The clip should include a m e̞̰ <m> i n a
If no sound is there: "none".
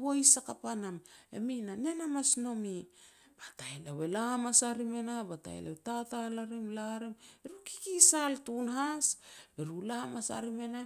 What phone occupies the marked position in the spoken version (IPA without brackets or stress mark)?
m